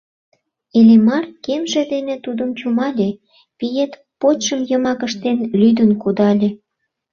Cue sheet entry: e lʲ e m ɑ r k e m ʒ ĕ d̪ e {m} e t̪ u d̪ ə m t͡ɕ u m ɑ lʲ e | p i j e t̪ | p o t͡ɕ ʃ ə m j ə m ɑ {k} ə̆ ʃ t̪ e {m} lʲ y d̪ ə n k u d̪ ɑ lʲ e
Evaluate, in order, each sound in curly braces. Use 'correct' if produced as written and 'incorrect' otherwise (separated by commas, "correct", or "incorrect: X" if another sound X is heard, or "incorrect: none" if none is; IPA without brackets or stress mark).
incorrect: n, correct, incorrect: n